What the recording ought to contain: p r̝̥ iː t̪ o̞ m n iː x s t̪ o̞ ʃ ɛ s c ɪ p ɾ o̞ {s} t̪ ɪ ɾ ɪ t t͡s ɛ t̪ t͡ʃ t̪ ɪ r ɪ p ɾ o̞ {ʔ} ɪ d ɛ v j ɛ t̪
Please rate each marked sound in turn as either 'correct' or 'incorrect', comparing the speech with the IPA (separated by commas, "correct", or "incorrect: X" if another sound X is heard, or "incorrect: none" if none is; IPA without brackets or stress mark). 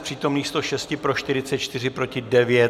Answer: incorrect: ʃ, incorrect: c